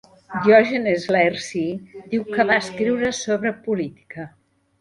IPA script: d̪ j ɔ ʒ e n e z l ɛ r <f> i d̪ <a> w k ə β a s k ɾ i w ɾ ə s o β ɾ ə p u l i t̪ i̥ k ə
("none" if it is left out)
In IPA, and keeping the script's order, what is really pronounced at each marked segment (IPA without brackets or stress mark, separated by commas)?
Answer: s, i